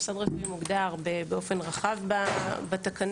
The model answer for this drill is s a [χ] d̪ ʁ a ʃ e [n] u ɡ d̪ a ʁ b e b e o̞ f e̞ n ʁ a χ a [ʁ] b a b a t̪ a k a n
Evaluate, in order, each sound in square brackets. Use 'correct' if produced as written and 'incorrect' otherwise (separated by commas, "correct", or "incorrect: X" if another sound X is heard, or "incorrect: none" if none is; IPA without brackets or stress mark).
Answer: incorrect: none, incorrect: m, incorrect: v